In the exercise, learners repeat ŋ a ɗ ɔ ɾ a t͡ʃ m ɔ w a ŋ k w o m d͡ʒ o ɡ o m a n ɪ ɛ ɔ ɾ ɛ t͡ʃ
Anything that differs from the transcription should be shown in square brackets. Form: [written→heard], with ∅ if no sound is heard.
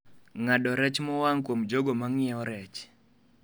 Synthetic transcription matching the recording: ŋ a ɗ ɔ ɾ [a→ɛ] t͡ʃ m ɔ w a ŋ k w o m d͡ʒ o ɡ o m a [n→ŋ] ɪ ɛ ɔ ɾ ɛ t͡ʃ

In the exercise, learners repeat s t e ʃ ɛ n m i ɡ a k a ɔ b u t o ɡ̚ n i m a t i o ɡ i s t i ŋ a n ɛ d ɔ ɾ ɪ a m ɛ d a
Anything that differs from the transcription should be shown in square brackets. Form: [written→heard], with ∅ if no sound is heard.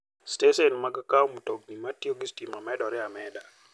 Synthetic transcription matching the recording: s t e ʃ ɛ n m [i→a] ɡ a k a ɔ [b→m] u t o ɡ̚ n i m a t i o ɡ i s t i [ŋ→m] a [n→m] ɛ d ɔ ɾ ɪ a m ɛ d a

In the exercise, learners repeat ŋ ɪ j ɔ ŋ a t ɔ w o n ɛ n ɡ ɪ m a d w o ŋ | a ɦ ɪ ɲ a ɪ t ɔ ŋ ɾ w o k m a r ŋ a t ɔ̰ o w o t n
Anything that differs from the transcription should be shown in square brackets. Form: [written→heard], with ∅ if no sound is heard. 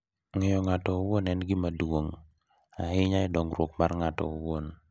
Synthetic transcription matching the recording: ŋ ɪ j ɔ ŋ a t ɔ w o n ɛ n ɡ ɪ m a d w o ŋ | a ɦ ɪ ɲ a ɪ [t→d] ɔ ŋ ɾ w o k m a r ŋ a t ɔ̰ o w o [t→∅] n

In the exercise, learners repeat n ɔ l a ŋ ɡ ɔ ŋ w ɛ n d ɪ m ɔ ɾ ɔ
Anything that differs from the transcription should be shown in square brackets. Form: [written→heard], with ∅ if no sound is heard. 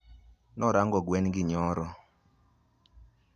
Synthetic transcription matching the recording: n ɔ [l→ɾ] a ŋ ɡ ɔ [ŋ→ɡ] w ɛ n [d→ɡ] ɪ [m→ɲ] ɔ ɾ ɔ

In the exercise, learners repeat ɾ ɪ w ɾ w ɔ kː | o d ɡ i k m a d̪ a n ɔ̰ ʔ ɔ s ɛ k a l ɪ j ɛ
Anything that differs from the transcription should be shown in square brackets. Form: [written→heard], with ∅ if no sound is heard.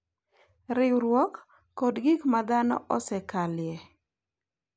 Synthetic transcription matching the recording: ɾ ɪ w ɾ w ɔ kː | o d ɡ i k m a d̪ a n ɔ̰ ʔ ɔ s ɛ k a l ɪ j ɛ

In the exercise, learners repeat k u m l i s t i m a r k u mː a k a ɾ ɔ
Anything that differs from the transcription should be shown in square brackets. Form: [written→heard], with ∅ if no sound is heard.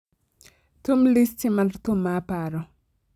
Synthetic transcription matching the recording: [k→t] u m l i s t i m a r [k→t] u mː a [k→p] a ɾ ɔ

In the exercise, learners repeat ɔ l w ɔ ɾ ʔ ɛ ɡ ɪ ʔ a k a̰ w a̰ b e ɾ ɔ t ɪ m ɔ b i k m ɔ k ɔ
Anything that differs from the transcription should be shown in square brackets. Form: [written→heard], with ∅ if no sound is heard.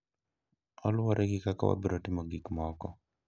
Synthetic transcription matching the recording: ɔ l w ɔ ɾ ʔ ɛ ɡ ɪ [ʔ→k] a k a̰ w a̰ b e ɾ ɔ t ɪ m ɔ [b→ɡ] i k m ɔ k ɔ

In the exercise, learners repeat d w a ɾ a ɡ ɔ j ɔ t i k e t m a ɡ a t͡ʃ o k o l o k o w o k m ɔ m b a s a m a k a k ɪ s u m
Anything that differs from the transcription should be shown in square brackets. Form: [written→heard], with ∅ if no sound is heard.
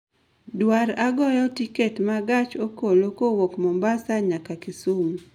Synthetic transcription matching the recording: d w a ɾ a ɡ ɔ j ɔ t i k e t m a ɡ a t͡ʃ o k o l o k o w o k m ɔ m b a s a [m→ɲ] a k a k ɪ s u m

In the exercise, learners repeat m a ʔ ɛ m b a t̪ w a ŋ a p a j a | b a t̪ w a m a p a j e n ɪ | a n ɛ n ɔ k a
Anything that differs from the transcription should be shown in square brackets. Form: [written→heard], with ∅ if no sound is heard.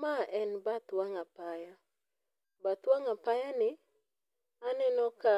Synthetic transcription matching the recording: m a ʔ ɛ [m→n] b a t̪ w a ŋ a p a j a | b a t̪ w a [m→ŋ] a p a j [e→a] n ɪ | a n ɛ n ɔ k a

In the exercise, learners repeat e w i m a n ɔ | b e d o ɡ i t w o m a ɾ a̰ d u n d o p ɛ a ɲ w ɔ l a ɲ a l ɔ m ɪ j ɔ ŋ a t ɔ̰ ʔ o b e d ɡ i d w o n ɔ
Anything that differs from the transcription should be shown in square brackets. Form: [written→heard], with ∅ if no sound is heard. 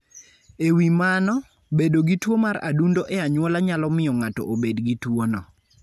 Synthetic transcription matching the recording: e w i m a n ɔ | b e d o ɡ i t w o m a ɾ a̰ d u n d o [p→ʔ] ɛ a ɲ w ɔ l a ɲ a l ɔ m ɪ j ɔ ŋ a t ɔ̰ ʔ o b e d ɡ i [d→t] w o n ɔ

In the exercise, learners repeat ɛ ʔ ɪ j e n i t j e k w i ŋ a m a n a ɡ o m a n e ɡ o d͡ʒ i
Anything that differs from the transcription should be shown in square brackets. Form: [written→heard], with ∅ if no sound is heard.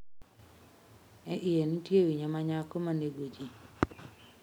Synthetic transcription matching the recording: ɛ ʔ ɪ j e n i t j e [k→∅] w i [ŋ→ɲ] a m a [n→ɲ] a [ɡ→k] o m a n e ɡ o d͡ʒ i

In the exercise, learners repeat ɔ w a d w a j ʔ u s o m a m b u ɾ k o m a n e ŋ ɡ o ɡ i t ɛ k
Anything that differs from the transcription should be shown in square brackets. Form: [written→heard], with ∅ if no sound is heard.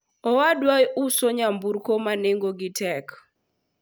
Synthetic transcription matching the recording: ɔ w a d w a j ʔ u s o [m→ɲ] a m b u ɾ k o m a n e ŋ ɡ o ɡ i t ɛ k

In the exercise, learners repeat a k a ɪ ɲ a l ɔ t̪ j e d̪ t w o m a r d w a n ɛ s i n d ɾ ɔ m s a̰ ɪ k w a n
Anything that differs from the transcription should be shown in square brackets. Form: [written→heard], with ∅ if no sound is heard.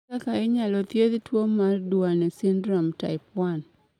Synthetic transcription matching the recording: a k a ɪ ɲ a l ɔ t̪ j e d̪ t w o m a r d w a n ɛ s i n d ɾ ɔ m [s→t] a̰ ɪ [k→p] w a n

